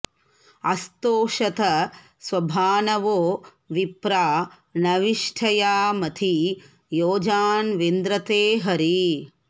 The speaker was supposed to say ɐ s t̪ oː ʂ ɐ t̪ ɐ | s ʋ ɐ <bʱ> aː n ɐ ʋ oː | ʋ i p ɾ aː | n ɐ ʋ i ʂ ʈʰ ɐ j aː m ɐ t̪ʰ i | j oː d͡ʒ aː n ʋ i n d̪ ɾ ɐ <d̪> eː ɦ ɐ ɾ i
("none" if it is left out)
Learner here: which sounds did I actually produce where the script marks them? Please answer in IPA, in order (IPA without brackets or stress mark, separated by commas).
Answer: bʱ, t̪